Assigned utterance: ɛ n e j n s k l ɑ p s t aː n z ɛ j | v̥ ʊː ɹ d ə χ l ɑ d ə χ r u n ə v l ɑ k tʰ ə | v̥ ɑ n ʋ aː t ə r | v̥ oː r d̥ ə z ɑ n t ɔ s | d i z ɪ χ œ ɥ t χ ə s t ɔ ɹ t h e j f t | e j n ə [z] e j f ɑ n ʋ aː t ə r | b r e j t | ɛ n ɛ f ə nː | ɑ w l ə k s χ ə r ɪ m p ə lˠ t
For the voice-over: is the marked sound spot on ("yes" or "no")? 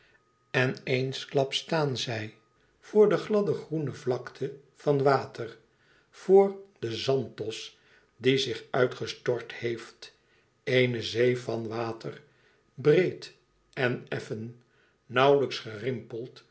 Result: yes